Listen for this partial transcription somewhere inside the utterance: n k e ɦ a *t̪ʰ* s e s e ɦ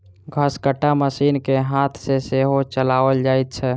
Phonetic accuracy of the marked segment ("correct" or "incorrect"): correct